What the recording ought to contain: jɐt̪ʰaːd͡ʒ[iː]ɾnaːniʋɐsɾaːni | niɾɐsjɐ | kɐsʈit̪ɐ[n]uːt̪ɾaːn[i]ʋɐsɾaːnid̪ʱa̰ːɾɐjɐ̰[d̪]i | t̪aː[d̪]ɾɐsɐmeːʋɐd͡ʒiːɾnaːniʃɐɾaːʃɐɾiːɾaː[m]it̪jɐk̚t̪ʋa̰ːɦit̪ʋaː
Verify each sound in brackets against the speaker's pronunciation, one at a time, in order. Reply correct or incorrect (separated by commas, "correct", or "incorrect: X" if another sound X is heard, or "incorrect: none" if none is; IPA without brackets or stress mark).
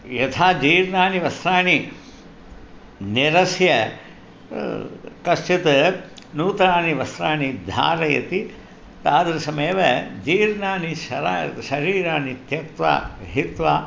correct, correct, correct, incorrect: t̪, correct, incorrect: n